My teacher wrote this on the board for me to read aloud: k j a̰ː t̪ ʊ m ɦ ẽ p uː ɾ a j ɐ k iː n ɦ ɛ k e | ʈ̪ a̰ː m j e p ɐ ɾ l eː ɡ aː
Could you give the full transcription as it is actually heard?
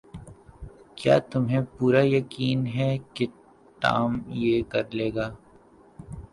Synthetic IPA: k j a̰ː t̪ ʊ m ɦ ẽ p uː ɾ a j ɐ k iː n ɦ ɛ k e | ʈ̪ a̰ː m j e k ɐ ɾ l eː ɡ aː